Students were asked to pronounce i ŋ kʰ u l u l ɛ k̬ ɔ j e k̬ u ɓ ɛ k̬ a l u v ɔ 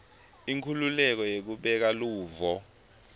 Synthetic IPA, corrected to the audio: i ŋ kʰ u l u l ɛ k̬ ɔ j e k̬ u ɓ ɛ k̬ a l uː v ɔ